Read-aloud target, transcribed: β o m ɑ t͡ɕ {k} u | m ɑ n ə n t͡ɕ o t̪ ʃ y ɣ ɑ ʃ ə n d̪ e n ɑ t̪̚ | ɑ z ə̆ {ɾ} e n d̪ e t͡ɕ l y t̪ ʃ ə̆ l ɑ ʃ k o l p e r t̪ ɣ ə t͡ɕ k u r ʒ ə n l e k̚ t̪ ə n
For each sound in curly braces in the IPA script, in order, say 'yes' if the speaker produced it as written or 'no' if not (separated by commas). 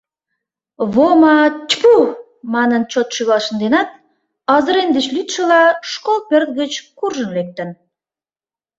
no, yes